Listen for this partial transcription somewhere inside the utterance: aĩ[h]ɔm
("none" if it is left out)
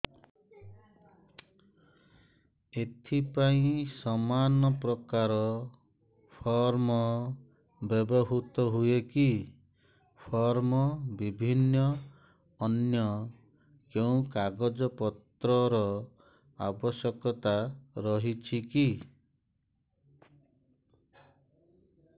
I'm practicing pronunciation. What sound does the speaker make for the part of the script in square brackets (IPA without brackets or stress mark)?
s